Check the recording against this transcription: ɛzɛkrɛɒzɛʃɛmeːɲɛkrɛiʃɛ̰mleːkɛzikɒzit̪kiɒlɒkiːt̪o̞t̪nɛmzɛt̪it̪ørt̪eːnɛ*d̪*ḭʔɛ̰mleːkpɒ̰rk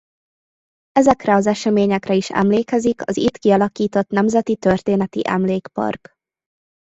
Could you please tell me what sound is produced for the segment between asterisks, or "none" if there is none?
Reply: t̪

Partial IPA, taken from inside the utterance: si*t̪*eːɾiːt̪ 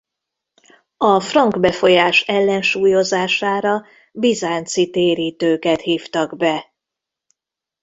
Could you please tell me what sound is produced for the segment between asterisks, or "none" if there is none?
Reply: t̪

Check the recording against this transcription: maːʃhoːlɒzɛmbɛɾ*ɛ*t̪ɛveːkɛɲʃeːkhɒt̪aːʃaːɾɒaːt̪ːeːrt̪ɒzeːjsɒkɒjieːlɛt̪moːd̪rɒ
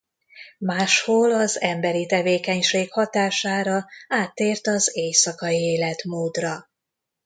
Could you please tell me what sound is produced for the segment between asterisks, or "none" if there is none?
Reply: i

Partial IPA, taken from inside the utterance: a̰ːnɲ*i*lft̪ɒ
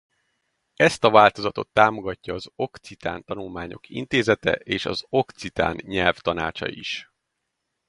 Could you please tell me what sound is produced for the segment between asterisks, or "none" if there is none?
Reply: ɛ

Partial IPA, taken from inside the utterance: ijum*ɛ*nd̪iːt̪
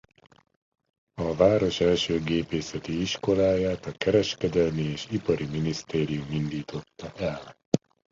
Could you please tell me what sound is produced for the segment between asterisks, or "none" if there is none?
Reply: i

